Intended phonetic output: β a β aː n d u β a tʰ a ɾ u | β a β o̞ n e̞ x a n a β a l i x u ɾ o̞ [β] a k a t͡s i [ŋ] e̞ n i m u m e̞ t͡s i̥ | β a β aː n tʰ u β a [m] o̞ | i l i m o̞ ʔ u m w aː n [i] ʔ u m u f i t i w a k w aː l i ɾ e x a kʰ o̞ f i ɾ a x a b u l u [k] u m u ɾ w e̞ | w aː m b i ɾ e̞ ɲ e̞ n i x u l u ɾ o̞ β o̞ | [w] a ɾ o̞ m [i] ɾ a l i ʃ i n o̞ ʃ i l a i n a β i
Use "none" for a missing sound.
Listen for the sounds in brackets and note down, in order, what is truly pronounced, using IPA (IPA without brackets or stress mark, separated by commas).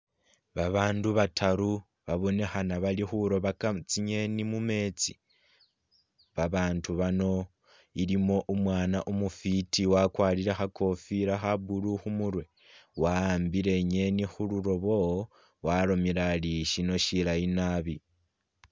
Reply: β, ɲ, n, a, x, w, i